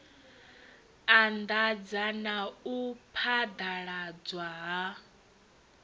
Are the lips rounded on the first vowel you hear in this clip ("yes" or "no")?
no